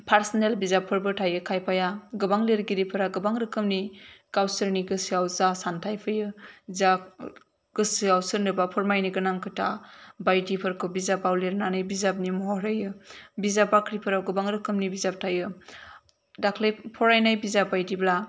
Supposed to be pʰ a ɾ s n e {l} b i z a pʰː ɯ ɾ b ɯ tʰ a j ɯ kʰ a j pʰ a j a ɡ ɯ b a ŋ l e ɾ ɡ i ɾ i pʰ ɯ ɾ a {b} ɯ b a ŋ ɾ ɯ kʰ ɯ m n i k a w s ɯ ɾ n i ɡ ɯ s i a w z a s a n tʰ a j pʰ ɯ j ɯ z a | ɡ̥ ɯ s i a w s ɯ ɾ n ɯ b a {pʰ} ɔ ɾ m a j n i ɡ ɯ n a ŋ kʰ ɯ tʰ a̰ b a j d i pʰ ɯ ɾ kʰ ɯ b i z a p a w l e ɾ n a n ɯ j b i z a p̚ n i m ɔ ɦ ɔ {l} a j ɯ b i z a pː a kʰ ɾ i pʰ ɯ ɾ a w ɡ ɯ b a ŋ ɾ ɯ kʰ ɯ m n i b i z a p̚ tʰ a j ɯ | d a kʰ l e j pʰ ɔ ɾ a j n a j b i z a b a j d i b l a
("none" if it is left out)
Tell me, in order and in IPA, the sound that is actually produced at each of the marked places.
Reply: l, ɡ, pʰ, ɾ

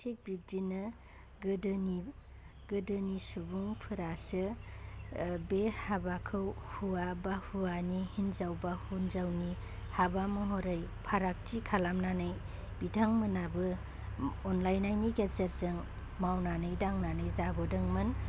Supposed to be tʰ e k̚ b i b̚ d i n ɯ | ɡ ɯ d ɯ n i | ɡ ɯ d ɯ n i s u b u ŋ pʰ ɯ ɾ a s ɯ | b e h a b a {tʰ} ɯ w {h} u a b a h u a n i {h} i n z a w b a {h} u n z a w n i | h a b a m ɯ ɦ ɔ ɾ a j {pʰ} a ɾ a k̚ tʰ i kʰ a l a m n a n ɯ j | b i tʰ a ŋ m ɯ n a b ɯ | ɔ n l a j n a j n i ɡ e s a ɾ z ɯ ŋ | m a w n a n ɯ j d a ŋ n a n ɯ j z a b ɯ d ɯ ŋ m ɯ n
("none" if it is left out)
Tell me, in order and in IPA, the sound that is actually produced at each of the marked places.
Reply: kʰ, h, h, h, pʰ

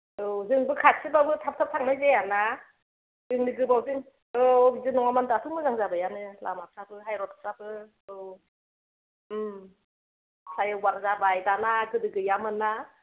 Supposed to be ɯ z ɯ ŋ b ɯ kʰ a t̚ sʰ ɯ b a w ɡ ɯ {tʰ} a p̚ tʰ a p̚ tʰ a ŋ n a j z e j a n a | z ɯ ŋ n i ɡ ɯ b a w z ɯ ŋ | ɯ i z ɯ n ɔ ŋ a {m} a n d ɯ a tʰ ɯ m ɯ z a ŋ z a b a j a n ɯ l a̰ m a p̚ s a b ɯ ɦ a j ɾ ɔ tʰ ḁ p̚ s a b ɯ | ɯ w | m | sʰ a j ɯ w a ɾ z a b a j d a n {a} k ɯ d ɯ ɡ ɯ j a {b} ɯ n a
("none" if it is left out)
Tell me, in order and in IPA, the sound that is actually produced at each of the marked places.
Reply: tʰ, m, a, m

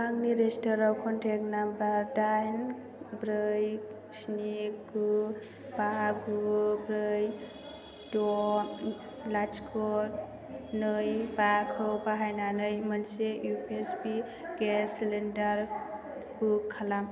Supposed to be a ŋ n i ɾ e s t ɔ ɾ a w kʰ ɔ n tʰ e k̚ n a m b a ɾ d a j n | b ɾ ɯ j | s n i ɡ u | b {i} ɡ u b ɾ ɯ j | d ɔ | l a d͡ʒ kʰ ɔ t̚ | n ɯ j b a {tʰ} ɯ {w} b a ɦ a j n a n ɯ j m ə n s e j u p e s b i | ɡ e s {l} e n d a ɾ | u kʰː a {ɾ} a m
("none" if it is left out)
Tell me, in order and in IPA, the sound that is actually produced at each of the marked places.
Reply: a, kʰ, w, l, l

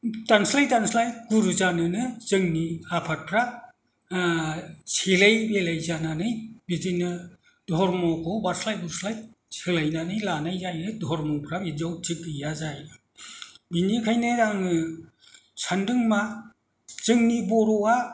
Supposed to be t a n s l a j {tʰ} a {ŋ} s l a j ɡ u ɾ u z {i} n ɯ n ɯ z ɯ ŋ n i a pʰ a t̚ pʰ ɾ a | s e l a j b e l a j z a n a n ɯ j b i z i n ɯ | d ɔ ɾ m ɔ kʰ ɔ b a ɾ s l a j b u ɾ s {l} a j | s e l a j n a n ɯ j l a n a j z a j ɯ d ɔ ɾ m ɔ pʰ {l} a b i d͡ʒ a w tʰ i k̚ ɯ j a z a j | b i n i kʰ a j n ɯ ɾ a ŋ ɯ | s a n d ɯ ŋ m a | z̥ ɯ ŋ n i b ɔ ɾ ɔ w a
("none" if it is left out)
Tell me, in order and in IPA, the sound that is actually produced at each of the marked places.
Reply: t, n, a, l, ɾ

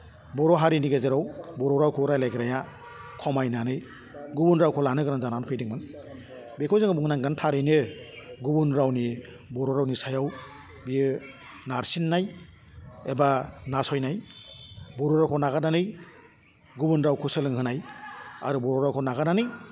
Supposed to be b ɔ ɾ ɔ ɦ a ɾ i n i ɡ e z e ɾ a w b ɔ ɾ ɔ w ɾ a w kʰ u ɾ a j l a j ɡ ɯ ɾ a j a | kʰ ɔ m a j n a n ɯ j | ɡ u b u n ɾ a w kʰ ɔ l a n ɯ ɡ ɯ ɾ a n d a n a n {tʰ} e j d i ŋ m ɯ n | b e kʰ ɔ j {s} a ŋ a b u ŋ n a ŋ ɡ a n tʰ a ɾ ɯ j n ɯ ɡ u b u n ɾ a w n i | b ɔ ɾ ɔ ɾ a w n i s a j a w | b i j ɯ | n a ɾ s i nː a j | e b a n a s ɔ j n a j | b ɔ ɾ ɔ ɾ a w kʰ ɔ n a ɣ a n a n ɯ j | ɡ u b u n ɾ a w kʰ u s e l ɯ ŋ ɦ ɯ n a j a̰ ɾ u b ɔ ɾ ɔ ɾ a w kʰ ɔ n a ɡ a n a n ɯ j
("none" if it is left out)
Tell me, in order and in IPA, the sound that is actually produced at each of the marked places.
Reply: pʰ, z

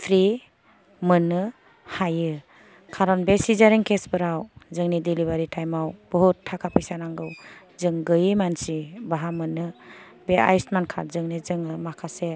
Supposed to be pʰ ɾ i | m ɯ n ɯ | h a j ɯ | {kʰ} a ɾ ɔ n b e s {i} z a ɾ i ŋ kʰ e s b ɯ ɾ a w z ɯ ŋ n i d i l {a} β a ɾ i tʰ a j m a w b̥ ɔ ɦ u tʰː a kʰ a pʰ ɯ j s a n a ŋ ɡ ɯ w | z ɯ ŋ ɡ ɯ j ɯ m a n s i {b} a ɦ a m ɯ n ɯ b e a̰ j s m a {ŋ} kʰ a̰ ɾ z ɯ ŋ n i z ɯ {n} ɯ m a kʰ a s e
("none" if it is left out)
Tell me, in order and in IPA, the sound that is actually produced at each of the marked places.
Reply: kʰ, i, i, b, n, ŋ

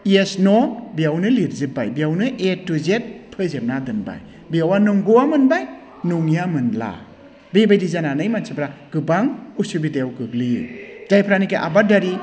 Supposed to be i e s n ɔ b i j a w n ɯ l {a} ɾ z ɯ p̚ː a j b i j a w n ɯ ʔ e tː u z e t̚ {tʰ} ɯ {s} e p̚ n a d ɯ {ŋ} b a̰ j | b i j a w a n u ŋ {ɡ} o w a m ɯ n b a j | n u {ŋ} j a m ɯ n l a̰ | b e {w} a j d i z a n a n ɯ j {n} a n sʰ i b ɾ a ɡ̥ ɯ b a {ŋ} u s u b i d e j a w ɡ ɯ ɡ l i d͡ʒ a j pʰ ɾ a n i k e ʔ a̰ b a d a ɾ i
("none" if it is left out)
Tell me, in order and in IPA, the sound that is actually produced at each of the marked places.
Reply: i, pʰ, z, n, ɡ, ŋ, b, m, ŋ

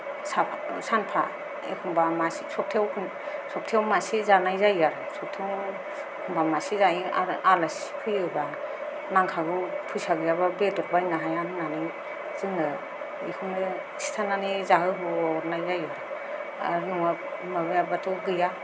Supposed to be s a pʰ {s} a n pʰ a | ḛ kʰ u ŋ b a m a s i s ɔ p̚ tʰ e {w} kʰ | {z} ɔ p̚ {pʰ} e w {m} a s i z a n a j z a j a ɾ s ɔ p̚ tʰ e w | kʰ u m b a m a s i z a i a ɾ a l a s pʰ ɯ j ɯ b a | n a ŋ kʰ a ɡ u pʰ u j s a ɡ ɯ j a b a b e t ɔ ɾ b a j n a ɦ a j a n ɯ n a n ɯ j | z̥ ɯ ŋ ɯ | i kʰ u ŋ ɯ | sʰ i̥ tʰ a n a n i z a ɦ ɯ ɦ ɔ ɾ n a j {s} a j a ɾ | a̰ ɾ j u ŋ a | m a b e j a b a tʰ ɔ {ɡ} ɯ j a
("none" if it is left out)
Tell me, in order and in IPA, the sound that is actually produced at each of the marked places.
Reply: s, w, s, tʰ, m, z, ɡ

